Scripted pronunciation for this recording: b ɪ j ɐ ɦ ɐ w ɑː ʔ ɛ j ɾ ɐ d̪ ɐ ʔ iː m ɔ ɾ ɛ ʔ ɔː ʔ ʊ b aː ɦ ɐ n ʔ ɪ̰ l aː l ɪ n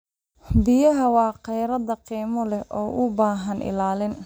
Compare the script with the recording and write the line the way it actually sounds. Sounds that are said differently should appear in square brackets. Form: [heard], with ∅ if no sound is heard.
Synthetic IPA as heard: b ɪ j ɐ ɦ ɐ w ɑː [q] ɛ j ɾ ɐ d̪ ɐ [q] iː m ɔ [l] ɛ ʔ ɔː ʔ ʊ b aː ɦ ɐ n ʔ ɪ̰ l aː l ɪ n